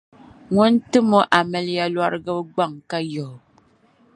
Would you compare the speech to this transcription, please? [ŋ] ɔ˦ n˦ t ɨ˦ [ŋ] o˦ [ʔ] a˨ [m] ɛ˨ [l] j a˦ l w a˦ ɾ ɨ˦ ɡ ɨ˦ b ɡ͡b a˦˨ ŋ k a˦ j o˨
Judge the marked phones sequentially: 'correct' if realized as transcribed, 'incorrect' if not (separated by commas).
correct, incorrect, correct, correct, correct